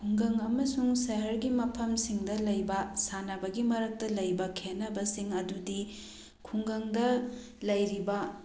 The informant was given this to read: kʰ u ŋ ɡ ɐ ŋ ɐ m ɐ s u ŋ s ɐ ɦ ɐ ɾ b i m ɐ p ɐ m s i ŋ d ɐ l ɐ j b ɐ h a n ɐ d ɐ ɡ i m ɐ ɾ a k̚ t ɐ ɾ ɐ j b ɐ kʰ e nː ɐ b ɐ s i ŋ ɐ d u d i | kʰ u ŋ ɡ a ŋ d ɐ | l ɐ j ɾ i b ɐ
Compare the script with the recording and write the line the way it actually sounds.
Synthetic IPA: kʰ u ŋ ɡ ɐ ŋ ɐ m ɐ s u ŋ s ɐ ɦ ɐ ɾ ɡ i m ɐ pʰ ɐ m s i ŋ d ɐ l ɐ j b ɐ s a n ɐ b ɐ ɡ i m ɐ ɾ ɐ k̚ t ɐ l ɐ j b ɐ kʰ e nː ɐ b ɐ s i ŋ ɐ d u d i | kʰ u ŋ ɡ ɐ ŋ d ɐ | l ɐ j ɾ i b ɐ